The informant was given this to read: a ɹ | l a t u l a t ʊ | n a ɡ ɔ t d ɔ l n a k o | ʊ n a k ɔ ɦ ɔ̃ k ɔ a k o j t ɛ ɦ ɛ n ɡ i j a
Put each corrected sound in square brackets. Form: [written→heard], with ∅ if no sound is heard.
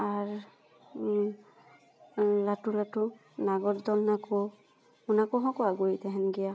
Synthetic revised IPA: a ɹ | l a t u l a t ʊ | n a ɡ ɔ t d ɔ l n a k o | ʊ n a k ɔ ɦ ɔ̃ k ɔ a [k→ɡ] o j t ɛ ɦ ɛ n ɡ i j a